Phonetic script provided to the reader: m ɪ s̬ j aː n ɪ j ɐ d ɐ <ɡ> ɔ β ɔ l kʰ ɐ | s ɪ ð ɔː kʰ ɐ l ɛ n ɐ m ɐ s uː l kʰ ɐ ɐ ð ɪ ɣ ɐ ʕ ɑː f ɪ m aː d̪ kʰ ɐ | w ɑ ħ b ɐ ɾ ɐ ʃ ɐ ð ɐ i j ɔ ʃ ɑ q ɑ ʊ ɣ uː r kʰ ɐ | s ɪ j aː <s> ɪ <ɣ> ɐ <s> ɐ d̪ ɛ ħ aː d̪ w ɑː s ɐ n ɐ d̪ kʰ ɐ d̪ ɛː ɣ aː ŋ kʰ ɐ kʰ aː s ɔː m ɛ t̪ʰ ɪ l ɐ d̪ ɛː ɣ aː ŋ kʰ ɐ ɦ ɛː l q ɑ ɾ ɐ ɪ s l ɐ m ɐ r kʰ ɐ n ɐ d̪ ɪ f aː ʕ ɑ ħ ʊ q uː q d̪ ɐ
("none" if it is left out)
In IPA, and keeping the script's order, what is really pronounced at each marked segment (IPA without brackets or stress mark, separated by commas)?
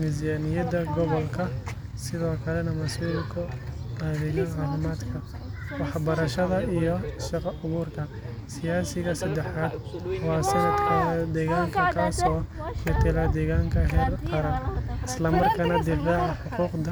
ɡ, s, ɣ, s